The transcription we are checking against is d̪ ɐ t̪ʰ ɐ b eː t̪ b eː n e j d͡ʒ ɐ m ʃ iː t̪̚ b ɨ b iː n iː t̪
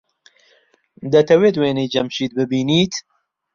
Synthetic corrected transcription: d̪ ɐ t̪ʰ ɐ w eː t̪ w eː n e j d͡ʒ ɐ m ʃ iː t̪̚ b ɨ b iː n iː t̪